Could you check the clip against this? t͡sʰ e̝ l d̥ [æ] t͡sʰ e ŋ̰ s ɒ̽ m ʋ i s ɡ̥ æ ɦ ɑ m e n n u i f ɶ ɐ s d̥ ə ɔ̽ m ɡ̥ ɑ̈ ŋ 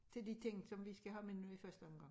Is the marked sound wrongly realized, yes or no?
yes